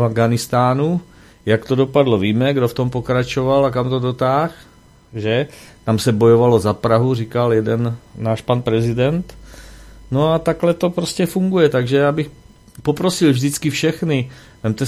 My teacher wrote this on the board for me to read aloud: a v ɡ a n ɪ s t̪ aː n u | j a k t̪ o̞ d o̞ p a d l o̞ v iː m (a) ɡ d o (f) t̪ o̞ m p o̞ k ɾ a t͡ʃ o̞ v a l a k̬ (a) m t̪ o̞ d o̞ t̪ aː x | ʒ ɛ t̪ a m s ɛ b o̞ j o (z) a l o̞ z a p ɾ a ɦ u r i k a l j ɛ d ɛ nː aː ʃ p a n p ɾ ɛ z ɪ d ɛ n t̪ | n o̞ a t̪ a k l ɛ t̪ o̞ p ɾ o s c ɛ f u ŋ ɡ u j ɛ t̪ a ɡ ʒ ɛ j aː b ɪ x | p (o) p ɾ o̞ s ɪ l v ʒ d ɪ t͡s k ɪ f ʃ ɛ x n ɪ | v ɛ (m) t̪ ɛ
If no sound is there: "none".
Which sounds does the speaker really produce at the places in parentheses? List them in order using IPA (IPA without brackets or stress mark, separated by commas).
ɛ, f, a, v, o, m